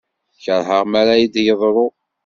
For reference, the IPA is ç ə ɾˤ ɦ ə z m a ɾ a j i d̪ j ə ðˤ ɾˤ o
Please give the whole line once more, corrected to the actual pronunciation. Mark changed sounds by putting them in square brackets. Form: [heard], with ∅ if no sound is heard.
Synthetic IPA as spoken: ç ə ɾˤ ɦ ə [ʁ] m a ɾ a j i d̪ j ə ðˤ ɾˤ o

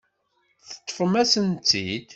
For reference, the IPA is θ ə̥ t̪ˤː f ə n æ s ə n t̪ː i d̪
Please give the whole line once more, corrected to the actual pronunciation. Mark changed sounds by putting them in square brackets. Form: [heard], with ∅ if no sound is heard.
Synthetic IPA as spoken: θ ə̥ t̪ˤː f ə [m] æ s ə n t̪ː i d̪

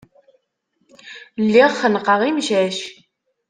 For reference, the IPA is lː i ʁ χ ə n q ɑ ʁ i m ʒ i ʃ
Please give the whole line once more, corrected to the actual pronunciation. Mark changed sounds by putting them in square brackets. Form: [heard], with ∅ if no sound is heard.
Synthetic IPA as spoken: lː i ʁ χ ə n q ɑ ʁ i m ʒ [æ] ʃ

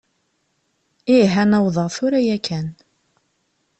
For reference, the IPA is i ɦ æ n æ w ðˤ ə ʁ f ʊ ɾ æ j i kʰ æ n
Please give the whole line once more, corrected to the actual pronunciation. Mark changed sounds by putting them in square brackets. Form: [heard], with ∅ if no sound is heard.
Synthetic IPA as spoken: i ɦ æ n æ w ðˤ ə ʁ [θ] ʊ ɾ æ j [æ] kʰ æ n

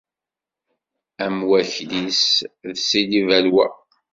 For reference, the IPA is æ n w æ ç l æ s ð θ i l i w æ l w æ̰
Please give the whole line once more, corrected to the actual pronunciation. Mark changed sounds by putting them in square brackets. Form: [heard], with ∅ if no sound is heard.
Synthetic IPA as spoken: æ [m] w æ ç l [i] s ð [s] i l i [v] æ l w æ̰

